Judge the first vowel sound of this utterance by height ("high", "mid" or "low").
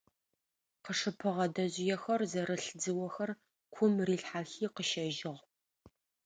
mid